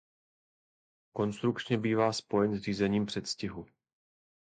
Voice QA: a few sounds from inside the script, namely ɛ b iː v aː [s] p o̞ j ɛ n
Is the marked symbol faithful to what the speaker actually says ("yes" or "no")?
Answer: yes